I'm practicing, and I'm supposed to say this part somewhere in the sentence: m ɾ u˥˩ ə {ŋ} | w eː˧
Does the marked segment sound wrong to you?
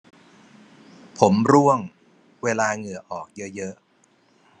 no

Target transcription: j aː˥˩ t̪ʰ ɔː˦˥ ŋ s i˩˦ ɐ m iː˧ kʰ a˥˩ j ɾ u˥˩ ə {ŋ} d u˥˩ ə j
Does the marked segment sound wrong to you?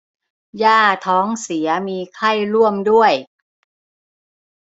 yes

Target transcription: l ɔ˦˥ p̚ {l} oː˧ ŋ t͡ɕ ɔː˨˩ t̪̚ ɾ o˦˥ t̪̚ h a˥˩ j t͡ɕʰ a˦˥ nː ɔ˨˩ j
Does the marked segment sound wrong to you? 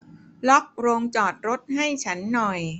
yes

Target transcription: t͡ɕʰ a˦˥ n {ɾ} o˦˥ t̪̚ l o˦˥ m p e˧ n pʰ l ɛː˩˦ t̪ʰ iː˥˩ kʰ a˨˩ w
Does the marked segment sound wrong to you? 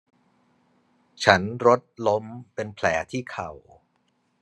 no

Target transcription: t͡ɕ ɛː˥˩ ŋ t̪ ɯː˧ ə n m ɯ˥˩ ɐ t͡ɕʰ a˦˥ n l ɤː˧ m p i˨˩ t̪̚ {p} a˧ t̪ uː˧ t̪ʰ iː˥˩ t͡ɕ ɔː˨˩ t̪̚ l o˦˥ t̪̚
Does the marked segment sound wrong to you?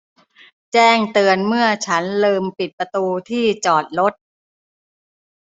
no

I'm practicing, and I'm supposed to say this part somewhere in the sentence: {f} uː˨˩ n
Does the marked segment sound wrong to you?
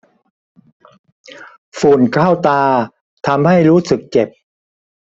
no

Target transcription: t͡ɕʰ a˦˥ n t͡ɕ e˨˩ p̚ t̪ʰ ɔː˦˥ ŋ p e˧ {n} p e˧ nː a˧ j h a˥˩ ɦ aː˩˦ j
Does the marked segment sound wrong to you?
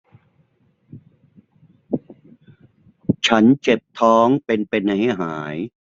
no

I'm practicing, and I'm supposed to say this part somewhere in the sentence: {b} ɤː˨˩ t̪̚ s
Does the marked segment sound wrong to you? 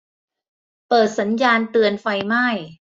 yes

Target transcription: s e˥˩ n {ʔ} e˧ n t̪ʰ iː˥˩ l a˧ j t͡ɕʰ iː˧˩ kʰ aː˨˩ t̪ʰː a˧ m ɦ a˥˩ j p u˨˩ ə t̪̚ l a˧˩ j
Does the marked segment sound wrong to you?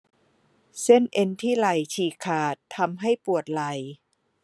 no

